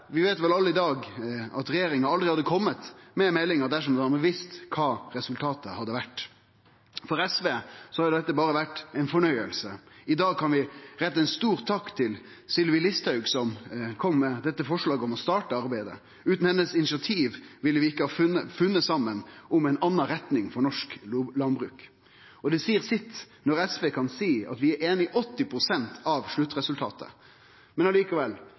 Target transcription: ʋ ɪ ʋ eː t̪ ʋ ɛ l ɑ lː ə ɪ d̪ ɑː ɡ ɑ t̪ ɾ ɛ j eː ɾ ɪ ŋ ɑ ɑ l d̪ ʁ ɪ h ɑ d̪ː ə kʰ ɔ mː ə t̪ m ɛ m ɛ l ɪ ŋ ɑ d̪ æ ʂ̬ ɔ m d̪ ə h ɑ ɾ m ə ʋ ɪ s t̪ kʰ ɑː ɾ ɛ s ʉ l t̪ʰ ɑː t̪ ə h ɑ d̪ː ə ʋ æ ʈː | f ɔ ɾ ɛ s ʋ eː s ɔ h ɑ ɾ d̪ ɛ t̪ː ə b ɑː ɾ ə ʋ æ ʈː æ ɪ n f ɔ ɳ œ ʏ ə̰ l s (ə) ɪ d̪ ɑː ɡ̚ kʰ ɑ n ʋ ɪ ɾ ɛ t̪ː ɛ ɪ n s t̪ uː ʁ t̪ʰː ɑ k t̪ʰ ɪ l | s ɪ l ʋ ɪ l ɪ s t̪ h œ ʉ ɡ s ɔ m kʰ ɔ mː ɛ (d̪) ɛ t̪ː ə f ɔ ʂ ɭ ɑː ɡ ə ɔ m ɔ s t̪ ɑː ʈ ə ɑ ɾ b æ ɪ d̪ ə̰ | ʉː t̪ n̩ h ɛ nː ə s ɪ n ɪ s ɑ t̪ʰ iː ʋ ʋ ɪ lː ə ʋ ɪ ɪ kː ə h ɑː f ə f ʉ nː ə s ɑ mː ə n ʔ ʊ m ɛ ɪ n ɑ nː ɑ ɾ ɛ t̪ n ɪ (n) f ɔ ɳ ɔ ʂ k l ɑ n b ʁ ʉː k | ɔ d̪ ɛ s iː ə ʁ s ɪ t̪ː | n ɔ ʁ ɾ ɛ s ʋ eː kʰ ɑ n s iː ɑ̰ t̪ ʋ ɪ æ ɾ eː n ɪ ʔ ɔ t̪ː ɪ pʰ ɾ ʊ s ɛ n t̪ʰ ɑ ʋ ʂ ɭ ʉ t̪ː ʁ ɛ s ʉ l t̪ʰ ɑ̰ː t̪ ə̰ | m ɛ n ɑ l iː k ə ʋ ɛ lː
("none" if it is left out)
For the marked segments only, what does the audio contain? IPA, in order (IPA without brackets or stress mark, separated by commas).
ə, d̪, ŋ